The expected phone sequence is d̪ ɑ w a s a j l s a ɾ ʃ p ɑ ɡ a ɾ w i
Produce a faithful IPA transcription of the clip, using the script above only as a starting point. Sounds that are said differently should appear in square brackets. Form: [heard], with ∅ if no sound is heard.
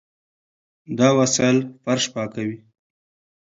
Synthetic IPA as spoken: d̪ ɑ w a s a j l [f] a ɾ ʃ p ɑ [k] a [∅] w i